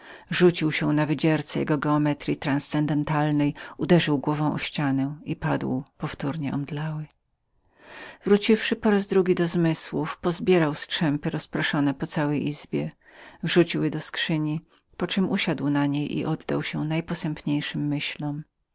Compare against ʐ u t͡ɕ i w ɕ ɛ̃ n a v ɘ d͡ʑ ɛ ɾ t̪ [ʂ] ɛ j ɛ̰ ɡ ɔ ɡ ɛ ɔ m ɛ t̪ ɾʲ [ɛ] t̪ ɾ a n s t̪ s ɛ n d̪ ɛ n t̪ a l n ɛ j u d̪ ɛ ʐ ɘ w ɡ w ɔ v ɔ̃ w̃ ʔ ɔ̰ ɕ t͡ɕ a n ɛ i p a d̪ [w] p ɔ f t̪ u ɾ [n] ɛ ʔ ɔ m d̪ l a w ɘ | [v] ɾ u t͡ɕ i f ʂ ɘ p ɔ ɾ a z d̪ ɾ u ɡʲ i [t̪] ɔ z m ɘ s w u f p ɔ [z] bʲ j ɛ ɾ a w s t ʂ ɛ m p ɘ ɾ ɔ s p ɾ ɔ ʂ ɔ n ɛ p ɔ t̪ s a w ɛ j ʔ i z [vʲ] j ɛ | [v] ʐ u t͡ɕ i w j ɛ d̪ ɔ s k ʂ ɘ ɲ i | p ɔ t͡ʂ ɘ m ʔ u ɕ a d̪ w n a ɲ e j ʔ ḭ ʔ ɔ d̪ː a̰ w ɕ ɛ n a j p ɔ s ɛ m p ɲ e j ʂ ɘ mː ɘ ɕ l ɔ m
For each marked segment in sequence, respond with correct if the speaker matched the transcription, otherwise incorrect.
incorrect: s, incorrect: i, correct, incorrect: ɲ, correct, incorrect: d̪, correct, incorrect: bʲ, correct

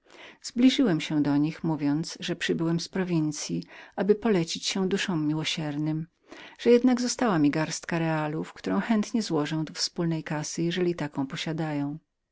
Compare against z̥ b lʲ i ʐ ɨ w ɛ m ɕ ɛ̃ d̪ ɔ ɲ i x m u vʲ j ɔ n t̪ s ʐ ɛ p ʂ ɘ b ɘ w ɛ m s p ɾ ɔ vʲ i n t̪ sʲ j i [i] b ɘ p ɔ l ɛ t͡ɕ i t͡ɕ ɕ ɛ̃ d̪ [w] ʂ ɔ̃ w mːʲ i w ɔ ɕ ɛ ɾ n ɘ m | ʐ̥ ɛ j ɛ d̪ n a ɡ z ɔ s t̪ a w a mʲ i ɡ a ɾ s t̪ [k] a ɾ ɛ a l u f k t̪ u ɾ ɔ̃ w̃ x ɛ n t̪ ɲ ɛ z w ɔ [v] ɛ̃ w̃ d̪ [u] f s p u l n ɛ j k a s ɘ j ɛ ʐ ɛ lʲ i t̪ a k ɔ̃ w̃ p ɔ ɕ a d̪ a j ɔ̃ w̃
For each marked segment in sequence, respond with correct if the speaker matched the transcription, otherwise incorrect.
incorrect: a, incorrect: u, correct, incorrect: ʐ, incorrect: ɔ

